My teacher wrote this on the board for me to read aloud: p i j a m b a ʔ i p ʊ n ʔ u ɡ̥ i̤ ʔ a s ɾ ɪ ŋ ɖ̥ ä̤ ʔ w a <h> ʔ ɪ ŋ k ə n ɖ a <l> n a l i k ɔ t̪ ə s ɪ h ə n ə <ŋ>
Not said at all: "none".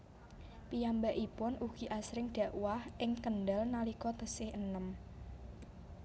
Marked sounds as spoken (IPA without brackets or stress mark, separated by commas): h, l, m